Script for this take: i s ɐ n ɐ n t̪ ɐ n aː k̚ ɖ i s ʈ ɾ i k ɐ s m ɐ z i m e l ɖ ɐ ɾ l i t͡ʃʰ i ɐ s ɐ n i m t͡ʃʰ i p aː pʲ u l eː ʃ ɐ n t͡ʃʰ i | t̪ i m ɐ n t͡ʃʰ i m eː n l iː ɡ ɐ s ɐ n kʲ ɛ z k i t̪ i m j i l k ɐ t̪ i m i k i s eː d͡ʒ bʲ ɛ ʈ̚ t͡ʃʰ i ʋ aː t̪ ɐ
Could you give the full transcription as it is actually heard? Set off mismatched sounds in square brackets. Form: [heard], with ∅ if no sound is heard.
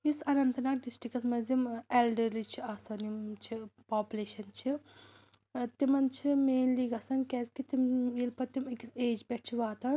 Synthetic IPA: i s ɐ n ɐ n t̪ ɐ n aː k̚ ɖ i s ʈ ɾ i k ɐ s m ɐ z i m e l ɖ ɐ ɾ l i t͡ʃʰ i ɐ s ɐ n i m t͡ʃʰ i p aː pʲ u l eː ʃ ɐ n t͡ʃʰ i | t̪ i m ɐ n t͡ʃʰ i m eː n l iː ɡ ɐ s ɐ n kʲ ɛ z k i t̪ i m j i l [p] ɐ t̪ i m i k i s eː d͡ʒ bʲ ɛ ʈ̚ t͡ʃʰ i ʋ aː t̪ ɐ